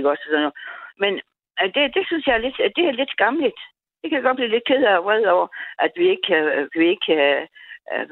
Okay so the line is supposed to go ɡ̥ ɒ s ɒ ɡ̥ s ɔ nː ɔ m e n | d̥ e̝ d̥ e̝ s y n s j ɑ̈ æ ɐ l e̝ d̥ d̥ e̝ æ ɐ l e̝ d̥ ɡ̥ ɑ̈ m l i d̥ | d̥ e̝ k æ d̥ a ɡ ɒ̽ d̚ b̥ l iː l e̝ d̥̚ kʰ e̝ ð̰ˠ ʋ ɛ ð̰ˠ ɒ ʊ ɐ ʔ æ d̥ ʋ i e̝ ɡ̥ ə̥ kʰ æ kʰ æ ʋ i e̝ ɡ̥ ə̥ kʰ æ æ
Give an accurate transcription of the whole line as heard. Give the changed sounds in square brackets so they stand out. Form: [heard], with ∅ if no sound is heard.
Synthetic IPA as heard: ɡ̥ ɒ s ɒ [∅] s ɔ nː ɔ m e n | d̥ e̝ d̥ e̝ s y n s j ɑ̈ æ ɐ l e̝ d̥ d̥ e̝ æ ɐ l e̝ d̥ ɡ̥ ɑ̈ m l i d̥ | d̥ e̝ k æ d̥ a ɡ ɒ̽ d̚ b̥ l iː l e̝ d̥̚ kʰ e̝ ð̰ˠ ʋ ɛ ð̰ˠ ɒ ʊ ɐ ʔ æ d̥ ʋ i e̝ ɡ̥ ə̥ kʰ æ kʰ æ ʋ i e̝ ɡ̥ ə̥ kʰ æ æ